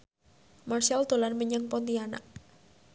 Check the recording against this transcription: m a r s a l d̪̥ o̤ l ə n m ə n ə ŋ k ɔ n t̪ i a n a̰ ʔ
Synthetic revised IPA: m a r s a l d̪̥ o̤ l a n m ə ɲ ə ŋ p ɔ n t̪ i a n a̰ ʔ